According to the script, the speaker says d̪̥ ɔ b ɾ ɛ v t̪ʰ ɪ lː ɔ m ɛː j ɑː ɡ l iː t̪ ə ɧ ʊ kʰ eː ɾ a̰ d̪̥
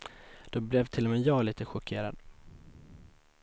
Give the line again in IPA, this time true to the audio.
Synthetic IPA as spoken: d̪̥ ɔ b l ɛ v t̪ʰ ɪ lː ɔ m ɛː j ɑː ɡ l iː t̪ ə ɧ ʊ kʰ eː ɾ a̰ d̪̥